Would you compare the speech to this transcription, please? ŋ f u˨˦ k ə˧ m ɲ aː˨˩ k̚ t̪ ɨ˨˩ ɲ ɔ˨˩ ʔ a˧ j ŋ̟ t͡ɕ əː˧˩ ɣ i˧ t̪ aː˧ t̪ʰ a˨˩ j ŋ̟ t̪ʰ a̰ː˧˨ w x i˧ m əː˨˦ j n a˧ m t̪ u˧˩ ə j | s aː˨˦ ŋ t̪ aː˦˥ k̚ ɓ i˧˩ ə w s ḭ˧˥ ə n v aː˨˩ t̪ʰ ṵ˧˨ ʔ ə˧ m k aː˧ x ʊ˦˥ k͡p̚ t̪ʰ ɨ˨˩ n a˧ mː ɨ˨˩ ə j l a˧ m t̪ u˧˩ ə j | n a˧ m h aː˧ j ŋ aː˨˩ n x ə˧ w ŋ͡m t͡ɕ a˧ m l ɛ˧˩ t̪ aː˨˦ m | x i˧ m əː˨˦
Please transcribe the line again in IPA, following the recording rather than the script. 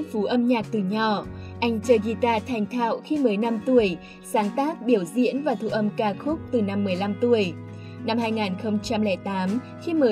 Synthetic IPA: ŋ f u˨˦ ʔ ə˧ m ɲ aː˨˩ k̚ t̪ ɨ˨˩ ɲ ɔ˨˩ ʔ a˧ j ŋ̟ t͡ɕ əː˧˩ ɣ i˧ t̪ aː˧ t̪ʰ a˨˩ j ŋ̟ t̪ʰ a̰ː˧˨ w x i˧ m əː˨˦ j n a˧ m t̪ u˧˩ ə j | s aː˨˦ ŋ t̪ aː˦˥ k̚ ɓ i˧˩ ə w z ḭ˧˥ ə n v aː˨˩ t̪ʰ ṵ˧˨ ʔ ə˧ m k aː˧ x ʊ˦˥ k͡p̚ t̪ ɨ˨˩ n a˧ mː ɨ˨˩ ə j l a˧ m t̪ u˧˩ ə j | n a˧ m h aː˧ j ŋ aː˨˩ n x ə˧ w ŋ͡m t͡ɕ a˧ m l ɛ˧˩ t̪ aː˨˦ m | x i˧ m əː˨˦